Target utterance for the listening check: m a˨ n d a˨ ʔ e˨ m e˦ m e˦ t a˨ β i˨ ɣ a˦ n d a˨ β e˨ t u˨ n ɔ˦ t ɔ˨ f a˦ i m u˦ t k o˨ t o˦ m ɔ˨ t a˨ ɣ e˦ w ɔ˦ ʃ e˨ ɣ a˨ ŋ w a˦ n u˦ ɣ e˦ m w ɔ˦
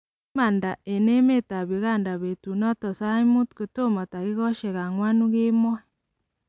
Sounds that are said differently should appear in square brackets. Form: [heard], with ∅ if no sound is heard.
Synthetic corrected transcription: m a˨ n d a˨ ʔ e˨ [n] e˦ m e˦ t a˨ β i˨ ɣ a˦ n d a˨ β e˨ t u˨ n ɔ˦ t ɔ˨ [s] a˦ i m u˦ t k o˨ t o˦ m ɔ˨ t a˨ ɣ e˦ [ɣ] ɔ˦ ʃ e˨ ɣ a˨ ŋ w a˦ n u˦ ɣ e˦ m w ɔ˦